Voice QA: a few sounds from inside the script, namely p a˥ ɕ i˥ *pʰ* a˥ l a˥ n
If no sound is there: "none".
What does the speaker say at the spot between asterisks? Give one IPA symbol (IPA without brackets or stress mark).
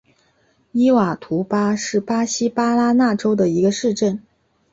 p